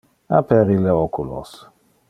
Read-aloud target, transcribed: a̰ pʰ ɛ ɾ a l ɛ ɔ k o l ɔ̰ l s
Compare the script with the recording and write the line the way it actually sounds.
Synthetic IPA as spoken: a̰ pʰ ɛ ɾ i l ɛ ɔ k u l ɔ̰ s